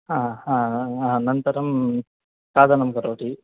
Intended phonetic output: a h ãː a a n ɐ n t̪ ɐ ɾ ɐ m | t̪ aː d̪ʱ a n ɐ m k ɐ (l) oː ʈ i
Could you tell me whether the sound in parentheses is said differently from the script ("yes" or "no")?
yes